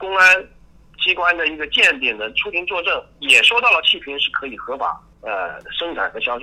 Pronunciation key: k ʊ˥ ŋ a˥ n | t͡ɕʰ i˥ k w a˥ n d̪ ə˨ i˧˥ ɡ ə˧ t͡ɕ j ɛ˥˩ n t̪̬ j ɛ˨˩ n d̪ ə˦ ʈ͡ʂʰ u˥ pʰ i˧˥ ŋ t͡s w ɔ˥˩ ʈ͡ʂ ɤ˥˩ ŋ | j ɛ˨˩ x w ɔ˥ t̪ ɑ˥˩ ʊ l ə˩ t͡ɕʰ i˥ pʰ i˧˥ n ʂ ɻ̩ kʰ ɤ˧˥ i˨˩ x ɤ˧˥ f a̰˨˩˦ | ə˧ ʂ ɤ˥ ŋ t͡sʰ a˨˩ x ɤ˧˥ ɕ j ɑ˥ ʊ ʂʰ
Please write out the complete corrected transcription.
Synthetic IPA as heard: k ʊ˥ ŋ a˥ n | t͡ɕ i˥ k w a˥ n d̪ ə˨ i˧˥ ɡ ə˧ t͡ɕ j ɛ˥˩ n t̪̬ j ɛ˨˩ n d̪ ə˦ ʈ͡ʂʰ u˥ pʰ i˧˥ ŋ t͡s w ɔ˥˧ ʈ͡ʂ ɤ˥˩ ŋ | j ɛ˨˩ ʂ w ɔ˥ t̪ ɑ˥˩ ʊ l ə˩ t͡ɕʰ i˥˩ pʰ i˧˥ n ʂ ɻ̩ kʰ ɤ˧˥ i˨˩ x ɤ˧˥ f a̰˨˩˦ | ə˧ ʂ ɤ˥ ŋ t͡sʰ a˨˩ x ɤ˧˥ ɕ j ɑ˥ ʊ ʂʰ